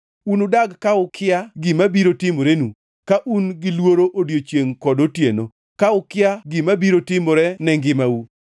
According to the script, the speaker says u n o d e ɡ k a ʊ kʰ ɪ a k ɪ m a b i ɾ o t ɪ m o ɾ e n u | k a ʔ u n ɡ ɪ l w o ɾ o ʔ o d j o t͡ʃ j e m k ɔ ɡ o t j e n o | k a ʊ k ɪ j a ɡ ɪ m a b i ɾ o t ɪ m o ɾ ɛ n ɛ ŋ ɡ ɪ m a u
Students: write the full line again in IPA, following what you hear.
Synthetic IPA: u n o d a ɡ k a ʊ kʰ ɪ a ɡ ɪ m a b i ɾ o t ɪ m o ɾ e n u | k a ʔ u n ɡ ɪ l w o ɾ o ʔ o d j o t͡ʃ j e ŋ k ɔ d o t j e n o | k a ʊ k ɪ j a ɡ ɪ m a b i ɾ o t ɪ m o ɾ ɛ n ɛ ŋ ɡ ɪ m a u